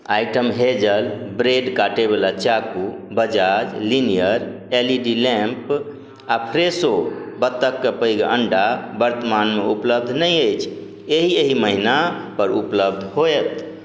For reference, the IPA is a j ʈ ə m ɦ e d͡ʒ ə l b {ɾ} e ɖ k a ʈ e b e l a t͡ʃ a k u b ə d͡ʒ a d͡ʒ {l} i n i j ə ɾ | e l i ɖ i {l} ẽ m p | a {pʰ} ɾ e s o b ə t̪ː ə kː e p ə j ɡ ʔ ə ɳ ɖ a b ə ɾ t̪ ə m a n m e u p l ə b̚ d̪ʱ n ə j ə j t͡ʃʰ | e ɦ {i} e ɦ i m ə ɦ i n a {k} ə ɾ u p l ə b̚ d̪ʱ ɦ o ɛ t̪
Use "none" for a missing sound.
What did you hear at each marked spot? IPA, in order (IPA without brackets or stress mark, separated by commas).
ɾ, l, l, pʰ, i, p